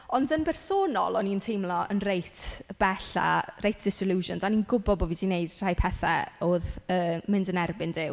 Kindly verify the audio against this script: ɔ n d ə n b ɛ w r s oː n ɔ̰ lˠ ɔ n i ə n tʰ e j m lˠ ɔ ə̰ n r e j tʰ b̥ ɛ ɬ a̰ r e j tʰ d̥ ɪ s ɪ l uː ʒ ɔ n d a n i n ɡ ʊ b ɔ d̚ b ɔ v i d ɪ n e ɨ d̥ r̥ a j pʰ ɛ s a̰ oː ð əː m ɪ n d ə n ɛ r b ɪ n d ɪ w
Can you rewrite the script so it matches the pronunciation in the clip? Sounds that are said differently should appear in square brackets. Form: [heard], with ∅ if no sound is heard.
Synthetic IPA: ɔ n d ə n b ɛ [∅] r s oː n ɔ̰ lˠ ɔ n i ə n tʰ e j m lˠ ɔ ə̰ n r e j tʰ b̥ ɛ ɬ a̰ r e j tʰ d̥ ɪ s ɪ l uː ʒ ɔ n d a n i n ɡ ʊ b ɔ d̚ b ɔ v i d [i] n e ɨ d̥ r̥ a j pʰ ɛ [θ] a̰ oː ð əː m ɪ n d ə n ɛ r b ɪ n d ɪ w

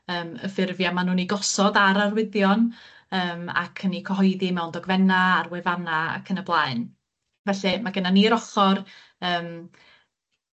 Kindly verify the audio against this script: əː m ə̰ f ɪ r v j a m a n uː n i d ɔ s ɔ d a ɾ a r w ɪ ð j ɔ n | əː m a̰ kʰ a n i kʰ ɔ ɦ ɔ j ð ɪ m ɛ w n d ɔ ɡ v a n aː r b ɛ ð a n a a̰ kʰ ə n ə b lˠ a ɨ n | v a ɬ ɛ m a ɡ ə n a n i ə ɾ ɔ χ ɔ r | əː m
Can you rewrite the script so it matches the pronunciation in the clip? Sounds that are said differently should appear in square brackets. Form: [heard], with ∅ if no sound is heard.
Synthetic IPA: əː m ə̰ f ɪ r v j a m a n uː n i [ɡ] ɔ s ɔ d a ɾ a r w ɪ ð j ɔ n | əː m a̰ kʰ [ə] n i kʰ ɔ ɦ ɔ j ð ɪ m ɛ w n d ɔ ɡ v [ɛ] n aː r [w] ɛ [v] a n a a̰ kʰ ə n ə b lˠ a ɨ n | v [ɛ] ɬ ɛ m a ɡ ə n a n i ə ɾ ɔ χ ɔ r | əː m

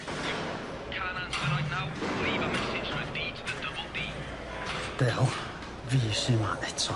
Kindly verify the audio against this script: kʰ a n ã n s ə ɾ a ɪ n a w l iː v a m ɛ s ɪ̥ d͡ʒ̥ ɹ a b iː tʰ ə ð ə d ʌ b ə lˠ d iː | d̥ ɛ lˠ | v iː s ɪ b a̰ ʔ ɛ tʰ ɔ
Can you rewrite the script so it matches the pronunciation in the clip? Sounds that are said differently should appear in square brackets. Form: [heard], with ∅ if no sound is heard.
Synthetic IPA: kʰ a n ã n s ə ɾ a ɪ n a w l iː v [ə] m ɛ s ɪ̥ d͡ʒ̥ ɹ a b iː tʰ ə ð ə d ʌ b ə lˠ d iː | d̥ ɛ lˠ | v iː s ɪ [m] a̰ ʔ ɛ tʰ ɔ

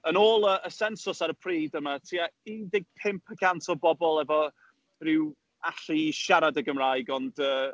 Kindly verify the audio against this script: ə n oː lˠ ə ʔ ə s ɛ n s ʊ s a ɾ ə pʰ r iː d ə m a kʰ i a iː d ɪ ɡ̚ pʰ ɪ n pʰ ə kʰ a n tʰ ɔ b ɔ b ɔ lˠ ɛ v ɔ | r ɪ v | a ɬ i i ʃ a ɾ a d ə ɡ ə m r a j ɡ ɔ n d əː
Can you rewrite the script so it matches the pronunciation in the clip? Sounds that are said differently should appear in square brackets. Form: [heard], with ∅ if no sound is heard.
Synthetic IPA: ə n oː lˠ ə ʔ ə s ɛ n s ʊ s a ɾ ə pʰ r iː d ə m a [tʰ] i a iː d ɪ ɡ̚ pʰ ɪ [m] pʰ ə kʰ a n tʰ ɔ b ɔ b ɔ lˠ ɛ v ɔ | r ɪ [w] | a ɬ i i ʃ a ɾ a d ə ɡ ə m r a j ɡ ɔ n d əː

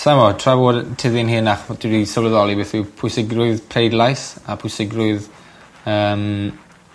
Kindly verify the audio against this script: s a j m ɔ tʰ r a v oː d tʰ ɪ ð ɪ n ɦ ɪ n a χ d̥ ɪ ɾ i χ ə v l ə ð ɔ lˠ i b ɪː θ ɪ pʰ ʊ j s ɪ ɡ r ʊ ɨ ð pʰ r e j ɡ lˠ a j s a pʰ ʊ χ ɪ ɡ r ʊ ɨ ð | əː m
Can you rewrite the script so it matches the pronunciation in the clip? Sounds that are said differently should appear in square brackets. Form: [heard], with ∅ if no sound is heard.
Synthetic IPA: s a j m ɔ tʰ r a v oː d tʰ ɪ ð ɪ n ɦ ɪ n a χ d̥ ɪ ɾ i [s] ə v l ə ð ɔ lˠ i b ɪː θ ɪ pʰ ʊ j s ɪ ɡ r ʊ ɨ ð pʰ r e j [d] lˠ a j s a pʰ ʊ [s] ɪ ɡ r ʊ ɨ ð | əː m

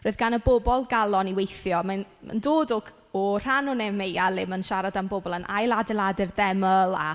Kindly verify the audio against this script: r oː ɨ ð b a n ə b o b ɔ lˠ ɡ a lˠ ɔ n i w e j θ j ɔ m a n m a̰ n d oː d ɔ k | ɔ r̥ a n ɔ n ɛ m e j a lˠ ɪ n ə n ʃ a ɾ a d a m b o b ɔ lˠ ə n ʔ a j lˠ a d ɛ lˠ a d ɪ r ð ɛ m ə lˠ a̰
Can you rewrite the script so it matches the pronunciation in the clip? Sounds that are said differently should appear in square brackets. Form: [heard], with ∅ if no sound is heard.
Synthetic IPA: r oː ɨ ð [ɡ] a n ə b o b ɔ lˠ ɡ a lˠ ɔ n i w e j θ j ɔ m a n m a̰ n d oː d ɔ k | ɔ r̥ a n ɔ n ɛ m e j a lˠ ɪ [m] ə n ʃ a ɾ a d a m b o b ɔ lˠ ə n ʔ a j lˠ a d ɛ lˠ a d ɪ r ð ɛ m ə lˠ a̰

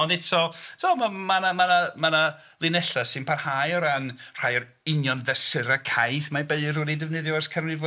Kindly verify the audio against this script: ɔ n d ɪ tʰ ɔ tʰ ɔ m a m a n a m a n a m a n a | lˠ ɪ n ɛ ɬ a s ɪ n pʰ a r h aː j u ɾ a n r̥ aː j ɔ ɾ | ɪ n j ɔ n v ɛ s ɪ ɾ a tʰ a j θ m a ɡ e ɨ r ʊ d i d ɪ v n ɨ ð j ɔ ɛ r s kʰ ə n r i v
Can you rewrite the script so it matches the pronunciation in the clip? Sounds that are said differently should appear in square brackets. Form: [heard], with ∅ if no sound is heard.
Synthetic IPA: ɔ n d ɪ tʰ ɔ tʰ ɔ m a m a n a m a n a m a n a | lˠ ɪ n ɛ ɬ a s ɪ n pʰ a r h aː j [ɔ] ɾ a n r̥ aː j ɔ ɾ | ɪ n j ɔ n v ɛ s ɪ ɾ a [kʰ] a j θ m a [b] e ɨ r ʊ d i d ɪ v n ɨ ð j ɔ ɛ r s kʰ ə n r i v

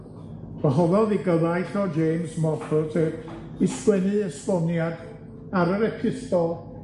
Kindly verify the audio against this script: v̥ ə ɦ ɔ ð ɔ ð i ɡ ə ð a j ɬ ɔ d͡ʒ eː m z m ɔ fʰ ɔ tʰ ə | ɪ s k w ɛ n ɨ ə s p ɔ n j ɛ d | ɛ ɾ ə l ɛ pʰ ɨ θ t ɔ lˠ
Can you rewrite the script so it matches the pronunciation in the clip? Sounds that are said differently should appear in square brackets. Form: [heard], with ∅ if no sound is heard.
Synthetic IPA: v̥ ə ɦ ɔ ð ɔ ð i ɡ ə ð a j ɬ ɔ d͡ʒ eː m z m ɔ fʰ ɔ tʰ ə | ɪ s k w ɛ n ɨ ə s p ɔ n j [a] d | [a] ɾ ə [ɾ] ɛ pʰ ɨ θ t ɔ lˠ

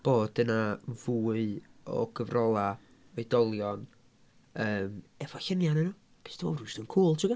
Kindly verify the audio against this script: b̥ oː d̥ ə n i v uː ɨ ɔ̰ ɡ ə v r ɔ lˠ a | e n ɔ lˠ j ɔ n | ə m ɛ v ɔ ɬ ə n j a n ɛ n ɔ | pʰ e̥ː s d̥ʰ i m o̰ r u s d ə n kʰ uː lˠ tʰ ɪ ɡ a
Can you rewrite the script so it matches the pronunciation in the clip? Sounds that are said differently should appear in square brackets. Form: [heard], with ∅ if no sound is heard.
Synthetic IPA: b̥ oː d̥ ə n [a] v uː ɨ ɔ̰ ɡ ə v r ɔ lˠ a | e [d] ɔ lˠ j ɔ n | [əː] m ɛ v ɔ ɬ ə n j a n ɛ n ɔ | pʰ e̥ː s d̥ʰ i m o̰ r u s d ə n kʰ uː lˠ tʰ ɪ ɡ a

